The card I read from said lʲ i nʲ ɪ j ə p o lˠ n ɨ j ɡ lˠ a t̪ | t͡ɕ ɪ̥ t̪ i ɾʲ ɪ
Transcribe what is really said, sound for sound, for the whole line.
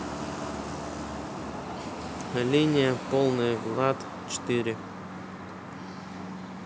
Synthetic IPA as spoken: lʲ i nʲ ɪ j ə p o lˠ n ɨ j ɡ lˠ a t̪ | t͡ɕ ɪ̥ t̪ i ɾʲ ɪ